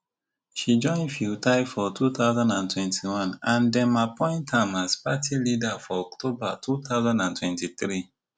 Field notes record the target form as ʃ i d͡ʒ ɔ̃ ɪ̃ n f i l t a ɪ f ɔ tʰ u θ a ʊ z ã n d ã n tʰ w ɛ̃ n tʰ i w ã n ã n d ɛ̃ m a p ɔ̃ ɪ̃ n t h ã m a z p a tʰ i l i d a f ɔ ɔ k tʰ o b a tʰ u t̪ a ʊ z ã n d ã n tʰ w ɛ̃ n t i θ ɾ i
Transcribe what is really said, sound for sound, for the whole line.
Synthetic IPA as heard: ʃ i d͡ʒ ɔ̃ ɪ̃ n f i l t a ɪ f ɔ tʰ u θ a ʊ z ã n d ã n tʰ w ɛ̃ n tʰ i w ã n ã n d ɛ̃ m a p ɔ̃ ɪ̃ n t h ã m a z p a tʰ i l i d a f ɔ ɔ k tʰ o b a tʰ u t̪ a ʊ z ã n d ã n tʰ w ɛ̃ n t i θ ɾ i